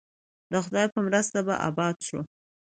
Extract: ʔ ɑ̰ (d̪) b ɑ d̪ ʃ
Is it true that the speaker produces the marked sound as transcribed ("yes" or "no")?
no